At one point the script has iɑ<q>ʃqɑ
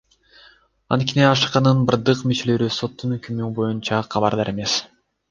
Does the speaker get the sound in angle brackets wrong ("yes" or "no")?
yes